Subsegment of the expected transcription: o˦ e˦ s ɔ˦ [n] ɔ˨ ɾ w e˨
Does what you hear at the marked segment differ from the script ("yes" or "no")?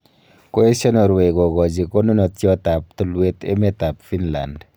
no